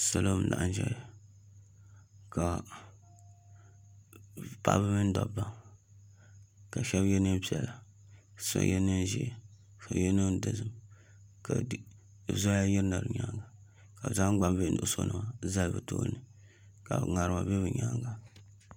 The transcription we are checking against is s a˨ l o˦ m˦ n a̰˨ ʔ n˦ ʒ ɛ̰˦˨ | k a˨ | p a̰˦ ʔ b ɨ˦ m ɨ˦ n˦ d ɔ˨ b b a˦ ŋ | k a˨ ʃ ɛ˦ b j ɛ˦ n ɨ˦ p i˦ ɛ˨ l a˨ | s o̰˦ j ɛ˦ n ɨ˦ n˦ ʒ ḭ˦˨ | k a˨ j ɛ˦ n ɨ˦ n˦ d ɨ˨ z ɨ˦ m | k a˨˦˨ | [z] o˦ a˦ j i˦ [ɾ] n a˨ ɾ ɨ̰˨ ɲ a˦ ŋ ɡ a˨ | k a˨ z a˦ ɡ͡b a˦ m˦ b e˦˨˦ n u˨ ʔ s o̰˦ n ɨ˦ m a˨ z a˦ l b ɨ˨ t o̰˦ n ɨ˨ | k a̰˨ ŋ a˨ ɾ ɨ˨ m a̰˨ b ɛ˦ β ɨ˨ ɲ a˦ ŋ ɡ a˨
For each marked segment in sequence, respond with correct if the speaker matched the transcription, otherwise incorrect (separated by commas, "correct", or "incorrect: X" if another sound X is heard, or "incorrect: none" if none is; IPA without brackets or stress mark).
correct, correct